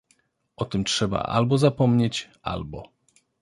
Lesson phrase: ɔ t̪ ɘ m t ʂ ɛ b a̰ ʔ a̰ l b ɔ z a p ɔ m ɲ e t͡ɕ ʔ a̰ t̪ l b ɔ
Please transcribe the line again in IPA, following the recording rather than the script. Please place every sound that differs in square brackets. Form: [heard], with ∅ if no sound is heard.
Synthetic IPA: ɔ t̪ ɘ m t ʂ ɛ b a̰ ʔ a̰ l b ɔ z a p ɔ m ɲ e t͡ɕ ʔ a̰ [∅] l b ɔ